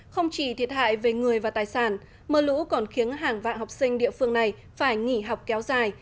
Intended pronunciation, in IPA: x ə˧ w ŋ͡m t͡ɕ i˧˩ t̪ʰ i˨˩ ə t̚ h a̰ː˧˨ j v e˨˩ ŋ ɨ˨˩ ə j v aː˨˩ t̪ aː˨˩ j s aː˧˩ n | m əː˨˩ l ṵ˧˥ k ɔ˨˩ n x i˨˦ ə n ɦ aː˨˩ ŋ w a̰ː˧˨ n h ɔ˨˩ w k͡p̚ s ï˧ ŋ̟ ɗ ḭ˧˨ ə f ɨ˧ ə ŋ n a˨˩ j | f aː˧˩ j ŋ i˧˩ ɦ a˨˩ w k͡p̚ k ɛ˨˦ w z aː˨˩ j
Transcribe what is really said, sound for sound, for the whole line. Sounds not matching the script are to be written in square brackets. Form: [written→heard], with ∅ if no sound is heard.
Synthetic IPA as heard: x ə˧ w ŋ͡m t͡ɕ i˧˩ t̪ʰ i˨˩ ə t̚ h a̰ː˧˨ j v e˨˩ ŋ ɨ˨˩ ə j v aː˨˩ t̪ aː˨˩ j s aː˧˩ n | m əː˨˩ l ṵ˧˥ k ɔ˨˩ n x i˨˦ ə n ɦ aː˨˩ ŋ [w→v] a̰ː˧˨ n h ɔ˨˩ w k͡p̚ s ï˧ ŋ̟ ɗ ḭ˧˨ ə f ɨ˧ ə ŋ n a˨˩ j | f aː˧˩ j ŋ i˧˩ ɦ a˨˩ w k͡p̚ k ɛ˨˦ w z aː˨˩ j